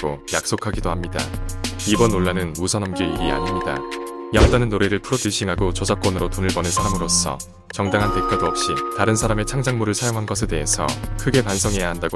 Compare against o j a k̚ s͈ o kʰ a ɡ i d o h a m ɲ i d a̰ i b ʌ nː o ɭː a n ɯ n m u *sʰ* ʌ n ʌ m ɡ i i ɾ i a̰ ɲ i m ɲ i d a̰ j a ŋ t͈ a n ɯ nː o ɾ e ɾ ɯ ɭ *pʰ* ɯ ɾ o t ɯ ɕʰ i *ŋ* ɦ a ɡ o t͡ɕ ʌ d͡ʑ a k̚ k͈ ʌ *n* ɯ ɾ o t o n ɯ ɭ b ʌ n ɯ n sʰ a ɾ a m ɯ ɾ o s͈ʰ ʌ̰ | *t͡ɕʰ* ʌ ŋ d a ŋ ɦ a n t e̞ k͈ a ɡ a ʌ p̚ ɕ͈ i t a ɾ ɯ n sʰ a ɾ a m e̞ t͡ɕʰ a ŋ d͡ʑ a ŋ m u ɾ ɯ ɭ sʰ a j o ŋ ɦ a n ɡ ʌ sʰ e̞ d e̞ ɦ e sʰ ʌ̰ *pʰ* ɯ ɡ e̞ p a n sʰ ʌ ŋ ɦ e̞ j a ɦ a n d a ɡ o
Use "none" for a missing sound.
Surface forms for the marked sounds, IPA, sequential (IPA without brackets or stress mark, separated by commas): sʰ, pʰ, ŋ, n, t͡ɕ, kʰ